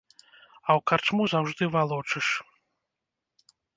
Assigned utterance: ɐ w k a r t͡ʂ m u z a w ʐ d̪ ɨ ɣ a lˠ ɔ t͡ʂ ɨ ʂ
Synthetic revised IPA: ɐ w k a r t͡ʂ m u z a w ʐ d̪ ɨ v a lˠ ɔ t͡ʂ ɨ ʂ